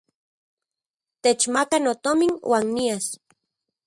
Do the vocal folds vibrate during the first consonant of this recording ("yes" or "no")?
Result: no